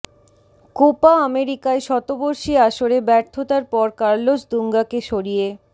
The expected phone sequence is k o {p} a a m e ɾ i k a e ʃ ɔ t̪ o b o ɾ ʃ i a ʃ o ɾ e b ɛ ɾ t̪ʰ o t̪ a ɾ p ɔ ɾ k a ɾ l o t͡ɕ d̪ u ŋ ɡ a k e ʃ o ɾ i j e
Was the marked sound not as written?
no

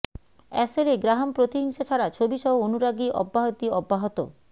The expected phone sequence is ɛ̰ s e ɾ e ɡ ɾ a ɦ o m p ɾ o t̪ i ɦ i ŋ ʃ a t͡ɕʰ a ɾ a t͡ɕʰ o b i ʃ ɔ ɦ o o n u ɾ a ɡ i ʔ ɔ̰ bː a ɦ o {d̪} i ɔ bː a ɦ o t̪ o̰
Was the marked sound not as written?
yes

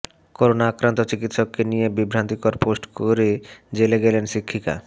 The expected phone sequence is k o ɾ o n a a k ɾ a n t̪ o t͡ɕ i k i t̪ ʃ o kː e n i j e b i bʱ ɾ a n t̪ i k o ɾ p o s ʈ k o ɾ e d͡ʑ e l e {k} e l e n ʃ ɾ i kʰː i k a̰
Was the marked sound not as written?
yes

